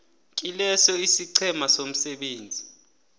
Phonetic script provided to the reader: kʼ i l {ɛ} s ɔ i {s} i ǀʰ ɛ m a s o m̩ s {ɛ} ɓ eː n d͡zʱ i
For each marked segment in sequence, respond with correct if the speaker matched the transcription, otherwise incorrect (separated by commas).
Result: correct, correct, correct